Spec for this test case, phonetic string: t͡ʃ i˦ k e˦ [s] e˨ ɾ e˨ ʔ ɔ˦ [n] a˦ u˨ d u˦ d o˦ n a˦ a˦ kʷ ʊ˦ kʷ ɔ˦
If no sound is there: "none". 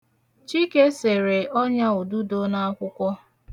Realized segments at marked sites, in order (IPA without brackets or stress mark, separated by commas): s, ɲ